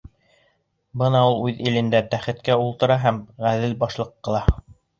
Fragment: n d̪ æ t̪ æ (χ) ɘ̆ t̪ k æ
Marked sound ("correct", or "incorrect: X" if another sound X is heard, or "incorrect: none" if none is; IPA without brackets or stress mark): correct